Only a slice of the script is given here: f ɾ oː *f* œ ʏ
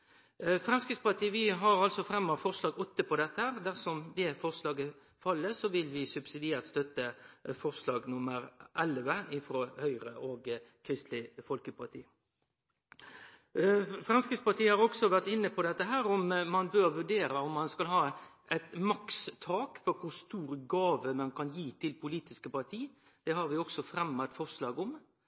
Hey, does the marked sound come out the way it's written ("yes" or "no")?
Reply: no